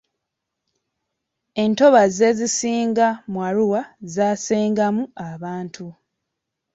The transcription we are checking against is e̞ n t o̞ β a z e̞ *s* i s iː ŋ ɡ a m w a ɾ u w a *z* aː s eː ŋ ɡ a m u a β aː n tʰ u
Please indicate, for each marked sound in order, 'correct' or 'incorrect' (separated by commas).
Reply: incorrect, correct